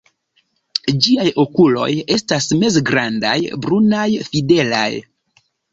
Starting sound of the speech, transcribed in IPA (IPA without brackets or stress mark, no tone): d͡ʒ